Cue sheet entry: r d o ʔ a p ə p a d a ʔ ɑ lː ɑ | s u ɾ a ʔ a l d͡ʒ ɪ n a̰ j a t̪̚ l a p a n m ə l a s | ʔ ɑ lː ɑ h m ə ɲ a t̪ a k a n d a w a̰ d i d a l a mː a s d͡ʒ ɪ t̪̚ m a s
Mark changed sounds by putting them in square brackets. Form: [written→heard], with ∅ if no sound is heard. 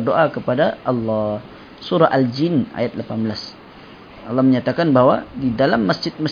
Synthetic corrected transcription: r d o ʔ a [p→k] ə p a d a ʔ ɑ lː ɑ | s u ɾ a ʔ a l d͡ʒ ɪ n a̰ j a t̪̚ l a p a n [m→b] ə l a s | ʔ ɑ lː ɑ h m ə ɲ a t̪ a k a n [d→b] a w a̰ d i d a l a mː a s d͡ʒ ɪ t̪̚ m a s